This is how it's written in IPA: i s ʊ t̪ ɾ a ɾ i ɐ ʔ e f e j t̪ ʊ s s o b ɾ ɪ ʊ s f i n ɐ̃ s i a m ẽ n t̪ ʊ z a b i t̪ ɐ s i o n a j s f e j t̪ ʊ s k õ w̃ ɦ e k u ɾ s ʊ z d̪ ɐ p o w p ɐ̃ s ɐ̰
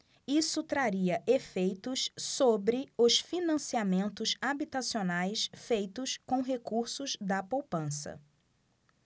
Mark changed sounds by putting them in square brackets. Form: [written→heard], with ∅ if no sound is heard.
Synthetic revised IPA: i s ʊ t̪ ɾ a ɾ i ɐ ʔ e f e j t̪ ʊ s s o b ɾ ɪ ʊ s f i n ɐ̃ s i a m ẽ n t̪ ʊ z a b i t̪ [ɐ→a] s i o n a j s f e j t̪ ʊ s k õ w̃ ɦ e k u ɾ s ʊ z d̪ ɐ p o w p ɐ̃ s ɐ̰